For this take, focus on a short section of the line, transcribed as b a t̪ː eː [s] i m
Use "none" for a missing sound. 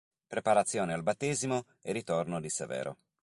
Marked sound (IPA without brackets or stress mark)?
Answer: z